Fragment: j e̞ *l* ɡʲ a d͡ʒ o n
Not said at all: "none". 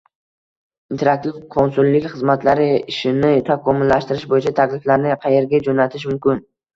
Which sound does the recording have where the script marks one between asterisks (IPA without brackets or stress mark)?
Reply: ɾ